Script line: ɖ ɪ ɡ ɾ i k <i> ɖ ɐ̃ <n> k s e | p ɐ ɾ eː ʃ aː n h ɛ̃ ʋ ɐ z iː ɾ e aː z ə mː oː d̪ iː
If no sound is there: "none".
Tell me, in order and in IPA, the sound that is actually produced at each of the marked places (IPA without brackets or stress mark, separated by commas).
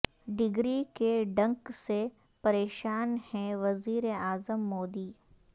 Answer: e, ŋ